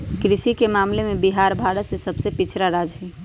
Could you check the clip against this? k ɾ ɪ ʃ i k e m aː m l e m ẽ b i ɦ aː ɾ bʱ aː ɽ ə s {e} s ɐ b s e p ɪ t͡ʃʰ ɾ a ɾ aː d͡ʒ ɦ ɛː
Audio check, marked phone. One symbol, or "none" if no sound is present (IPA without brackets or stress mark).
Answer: e